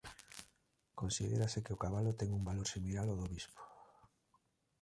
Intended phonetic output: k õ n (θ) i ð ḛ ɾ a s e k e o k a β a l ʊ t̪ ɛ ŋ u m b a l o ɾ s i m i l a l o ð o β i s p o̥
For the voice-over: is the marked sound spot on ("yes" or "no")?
no